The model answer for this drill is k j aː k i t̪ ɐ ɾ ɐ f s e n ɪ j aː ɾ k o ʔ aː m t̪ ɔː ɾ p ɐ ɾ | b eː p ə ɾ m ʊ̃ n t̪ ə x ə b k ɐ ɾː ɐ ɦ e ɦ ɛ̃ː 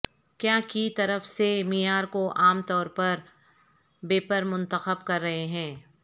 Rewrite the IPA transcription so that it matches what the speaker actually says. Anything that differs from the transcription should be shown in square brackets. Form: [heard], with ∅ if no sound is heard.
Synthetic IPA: k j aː k i t̪ ɐ ɾ [ə] f s e [m] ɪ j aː ɾ k o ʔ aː m t̪ ɔː ɾ p ɐ ɾ | b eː p ə ɾ m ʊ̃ n t̪ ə x ə b k ɐ ɾː ɐ ɦ e ɦ ɛ̃ː